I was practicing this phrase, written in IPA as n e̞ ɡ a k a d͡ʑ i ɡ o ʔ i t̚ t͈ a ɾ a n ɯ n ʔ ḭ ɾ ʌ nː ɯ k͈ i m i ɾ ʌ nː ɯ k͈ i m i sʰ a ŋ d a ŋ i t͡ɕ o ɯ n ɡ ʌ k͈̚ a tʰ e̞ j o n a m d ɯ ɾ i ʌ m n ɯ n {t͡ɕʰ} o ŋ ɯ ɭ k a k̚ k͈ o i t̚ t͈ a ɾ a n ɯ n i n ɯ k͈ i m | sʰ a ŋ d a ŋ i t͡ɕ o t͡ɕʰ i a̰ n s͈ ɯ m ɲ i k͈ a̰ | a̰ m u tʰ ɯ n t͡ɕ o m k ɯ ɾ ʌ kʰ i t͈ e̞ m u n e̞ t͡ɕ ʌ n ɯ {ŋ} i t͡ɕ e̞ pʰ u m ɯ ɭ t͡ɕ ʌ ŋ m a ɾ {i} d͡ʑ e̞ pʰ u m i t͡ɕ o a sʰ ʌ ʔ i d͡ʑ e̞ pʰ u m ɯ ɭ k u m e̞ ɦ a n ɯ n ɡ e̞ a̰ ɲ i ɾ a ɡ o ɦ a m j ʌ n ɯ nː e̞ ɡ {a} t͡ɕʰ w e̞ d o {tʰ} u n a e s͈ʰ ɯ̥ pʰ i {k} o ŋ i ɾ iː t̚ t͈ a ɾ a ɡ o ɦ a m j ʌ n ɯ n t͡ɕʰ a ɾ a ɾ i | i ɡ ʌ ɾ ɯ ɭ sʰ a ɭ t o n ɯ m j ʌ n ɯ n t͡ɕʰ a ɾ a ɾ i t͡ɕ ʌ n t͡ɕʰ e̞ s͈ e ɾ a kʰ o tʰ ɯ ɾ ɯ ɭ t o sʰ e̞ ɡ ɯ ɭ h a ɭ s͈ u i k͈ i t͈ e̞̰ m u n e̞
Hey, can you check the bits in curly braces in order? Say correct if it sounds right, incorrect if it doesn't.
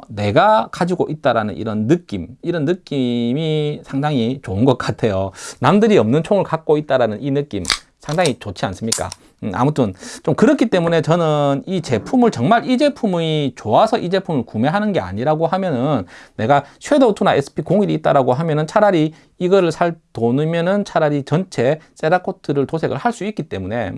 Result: correct, incorrect: n, correct, correct, correct, correct

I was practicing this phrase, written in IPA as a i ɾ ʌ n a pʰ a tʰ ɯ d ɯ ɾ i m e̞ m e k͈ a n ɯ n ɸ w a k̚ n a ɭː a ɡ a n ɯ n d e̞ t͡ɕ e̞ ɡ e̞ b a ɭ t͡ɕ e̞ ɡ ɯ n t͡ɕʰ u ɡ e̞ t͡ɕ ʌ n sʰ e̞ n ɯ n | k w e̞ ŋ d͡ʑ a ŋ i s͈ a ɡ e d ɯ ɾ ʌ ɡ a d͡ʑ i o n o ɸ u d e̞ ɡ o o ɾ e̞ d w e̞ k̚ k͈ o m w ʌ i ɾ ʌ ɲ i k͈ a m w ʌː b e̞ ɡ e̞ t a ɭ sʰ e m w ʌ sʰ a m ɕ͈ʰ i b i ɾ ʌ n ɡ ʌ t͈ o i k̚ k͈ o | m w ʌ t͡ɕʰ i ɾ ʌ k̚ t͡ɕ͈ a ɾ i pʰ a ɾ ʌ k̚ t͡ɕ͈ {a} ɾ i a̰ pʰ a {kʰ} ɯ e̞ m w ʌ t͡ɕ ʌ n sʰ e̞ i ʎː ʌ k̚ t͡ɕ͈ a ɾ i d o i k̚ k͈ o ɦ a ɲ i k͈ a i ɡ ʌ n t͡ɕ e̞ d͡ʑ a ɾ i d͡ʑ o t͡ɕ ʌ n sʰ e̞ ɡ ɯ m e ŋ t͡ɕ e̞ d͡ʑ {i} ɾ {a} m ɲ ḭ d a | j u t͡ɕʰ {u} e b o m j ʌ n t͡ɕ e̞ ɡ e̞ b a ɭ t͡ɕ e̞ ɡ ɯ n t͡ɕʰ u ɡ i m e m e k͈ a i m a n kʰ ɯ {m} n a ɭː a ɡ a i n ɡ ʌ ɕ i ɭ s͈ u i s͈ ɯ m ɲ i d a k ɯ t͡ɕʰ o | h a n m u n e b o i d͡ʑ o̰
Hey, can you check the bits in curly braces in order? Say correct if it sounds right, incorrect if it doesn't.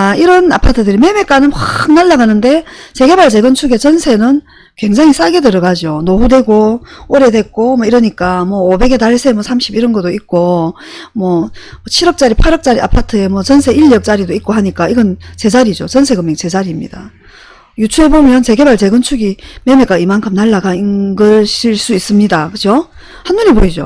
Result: correct, incorrect: tʰ, incorrect: a, incorrect: i, correct, correct

